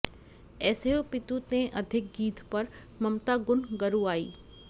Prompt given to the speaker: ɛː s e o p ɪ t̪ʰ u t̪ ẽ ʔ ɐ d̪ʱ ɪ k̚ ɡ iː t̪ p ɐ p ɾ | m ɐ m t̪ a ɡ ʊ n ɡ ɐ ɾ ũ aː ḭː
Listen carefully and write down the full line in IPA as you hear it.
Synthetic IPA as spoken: ɛː s e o p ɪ t̪ u t̪ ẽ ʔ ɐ d̪ʱ ɪ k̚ ɡ iː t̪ p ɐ ɾ | m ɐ m t̪ a ɡ ʊ n ɡ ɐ ɾ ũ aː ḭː